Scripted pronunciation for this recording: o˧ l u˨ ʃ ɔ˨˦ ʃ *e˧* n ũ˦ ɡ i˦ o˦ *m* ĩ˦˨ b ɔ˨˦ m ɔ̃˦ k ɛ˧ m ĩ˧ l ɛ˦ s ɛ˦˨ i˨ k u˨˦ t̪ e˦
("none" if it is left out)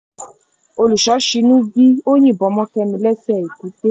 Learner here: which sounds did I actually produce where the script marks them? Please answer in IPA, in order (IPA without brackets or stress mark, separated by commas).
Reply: i˧, ɲ